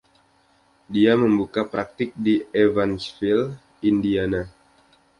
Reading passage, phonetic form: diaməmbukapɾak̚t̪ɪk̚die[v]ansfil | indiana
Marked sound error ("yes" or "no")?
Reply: no